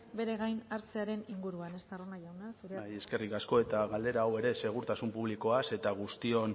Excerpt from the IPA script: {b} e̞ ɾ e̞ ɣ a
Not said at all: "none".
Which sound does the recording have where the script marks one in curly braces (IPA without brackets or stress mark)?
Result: b